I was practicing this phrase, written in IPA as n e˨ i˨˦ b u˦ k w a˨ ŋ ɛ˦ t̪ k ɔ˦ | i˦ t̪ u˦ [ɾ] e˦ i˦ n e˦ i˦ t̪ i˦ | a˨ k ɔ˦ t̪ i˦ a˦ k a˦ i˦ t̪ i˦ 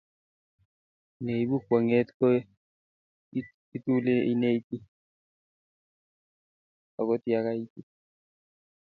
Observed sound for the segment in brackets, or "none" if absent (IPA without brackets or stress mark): l